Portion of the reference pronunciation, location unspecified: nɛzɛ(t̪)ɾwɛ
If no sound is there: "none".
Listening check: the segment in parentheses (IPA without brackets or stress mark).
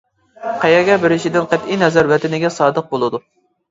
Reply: none